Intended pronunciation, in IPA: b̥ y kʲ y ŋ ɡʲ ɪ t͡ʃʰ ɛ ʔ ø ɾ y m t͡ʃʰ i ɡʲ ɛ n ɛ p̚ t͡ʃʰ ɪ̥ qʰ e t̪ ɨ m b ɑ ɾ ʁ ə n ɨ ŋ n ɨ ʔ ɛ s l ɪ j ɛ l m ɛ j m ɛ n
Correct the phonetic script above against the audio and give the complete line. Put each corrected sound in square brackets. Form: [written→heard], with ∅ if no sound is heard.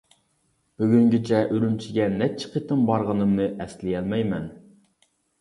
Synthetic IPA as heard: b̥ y [kʲ→ɡʲ] y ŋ ɡʲ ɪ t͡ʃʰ ɛ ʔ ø ɾ y m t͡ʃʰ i ɡʲ ɛ n ɛ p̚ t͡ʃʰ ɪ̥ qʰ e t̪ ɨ m b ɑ ɾ ʁ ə n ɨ [ŋ→m] n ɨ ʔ ɛ s l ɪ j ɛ l m ɛ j m ɛ n